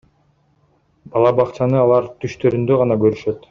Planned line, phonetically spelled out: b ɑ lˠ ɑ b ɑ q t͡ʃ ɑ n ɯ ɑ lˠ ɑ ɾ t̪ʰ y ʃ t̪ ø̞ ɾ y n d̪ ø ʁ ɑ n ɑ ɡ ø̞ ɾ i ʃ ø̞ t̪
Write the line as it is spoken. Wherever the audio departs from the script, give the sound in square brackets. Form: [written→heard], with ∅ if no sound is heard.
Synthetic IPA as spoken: b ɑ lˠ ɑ b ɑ q t͡ʃ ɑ n ɯ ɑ lˠ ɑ ɾ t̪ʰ y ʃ t̪ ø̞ ɾ y n d̪ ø ʁ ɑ n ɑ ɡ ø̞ ɾ [i→y] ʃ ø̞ t̪